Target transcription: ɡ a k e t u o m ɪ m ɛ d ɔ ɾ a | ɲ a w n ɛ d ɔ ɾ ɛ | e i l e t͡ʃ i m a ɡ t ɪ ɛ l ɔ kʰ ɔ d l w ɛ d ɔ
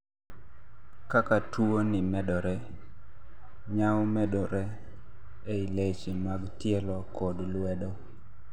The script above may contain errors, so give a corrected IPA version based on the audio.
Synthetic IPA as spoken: k a k a t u o n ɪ m ɛ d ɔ ɾ ɛ | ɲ a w m ɛ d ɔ ɾ ɛ | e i l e t͡ʃ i m a ɡ t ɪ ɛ l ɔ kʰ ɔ d l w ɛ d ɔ

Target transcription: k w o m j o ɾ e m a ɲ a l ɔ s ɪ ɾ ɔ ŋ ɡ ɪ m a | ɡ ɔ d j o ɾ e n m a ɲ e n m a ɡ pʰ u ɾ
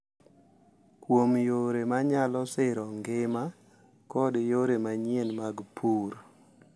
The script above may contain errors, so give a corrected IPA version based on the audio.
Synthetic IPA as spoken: k w o m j o ɾ e m a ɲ a l ɔ s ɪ ɾ ɔ ŋ ɡ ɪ m a | k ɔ d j o ɾ e m a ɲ e n m a ɡ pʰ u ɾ

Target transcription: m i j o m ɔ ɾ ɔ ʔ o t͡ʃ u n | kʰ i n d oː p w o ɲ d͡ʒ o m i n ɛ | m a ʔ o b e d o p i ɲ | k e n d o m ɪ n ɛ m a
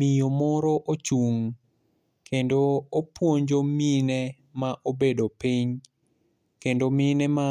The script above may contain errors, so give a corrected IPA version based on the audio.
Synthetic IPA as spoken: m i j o m ɔ ɾ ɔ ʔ o t͡ʃ u ŋ | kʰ e n d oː p w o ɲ d͡ʒ o m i n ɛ | m a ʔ o b e d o p i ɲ | k e n d o m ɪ n ɛ m a

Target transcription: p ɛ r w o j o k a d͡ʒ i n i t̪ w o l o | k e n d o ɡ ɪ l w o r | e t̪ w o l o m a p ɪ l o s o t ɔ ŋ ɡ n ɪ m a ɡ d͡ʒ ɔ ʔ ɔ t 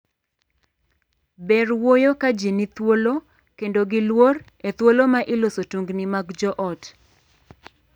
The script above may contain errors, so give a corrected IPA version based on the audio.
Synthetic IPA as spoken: b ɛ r w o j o k a d͡ʒ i n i t̪ w o l o | k e n d o ɡ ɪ l w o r | e t̪ w o l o m a ʔ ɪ l o s o t u ŋ ɡ n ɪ m a ɡ d͡ʒ ɔ ʔ ɔ t

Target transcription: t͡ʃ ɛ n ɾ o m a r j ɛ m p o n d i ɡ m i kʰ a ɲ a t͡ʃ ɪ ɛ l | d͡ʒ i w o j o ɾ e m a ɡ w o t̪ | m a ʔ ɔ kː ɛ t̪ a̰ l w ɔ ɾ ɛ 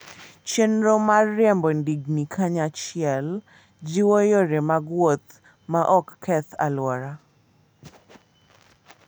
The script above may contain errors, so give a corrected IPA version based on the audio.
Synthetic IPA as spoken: t͡ʃ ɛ n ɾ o m a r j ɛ m b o n d i ɡ n i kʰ a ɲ a t͡ʃ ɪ ɛ l | d͡ʒ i w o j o ɾ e m a ɡ w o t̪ | m a ʔ ɔ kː ɛ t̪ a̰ l w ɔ ɾ a

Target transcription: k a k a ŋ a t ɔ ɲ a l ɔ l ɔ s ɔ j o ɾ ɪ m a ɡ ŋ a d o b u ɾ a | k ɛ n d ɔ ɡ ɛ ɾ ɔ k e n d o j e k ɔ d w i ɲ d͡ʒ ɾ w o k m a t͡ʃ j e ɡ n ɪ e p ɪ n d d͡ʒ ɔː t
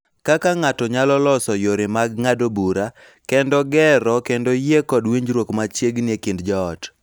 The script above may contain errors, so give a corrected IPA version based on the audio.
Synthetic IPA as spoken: k a k a ŋ a t ɔ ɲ a l ɔ l ɔ s ɔ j o ɾ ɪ m a ɡ ŋ a d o b u ɾ a | k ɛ n d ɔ ɡ ɛ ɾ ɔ k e n d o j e k ɔ d w i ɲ d͡ʒ ɾ w o k m a t͡ʃ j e ɡ n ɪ e k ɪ n d d͡ʒ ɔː t

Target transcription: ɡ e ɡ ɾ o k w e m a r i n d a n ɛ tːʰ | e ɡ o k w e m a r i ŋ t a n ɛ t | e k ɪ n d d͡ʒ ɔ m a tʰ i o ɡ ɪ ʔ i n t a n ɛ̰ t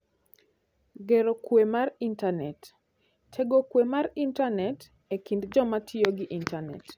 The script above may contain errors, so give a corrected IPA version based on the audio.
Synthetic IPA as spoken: ɡ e ɾ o k w e m a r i n t a n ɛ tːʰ | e ɡ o k w e m a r i n t a n ɛ t | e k i n d d͡ʒ ɔ m a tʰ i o ɡ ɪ ʔ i n t a n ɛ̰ t

